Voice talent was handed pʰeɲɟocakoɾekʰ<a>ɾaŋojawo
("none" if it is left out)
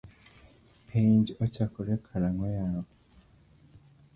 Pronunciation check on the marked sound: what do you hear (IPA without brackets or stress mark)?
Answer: a